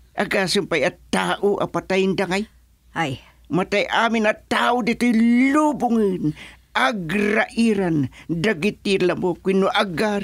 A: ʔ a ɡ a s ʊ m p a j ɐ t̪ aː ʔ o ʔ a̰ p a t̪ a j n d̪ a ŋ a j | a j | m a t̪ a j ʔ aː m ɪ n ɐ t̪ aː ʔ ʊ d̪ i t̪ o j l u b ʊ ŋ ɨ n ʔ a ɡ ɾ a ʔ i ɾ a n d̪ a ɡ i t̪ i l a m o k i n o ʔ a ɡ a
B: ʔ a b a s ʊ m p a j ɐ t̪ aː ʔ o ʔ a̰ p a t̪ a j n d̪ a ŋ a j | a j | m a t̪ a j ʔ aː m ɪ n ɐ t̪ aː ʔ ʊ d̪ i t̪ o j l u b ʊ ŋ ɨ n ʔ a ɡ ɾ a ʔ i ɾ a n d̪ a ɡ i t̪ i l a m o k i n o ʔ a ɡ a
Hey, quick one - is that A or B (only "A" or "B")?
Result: A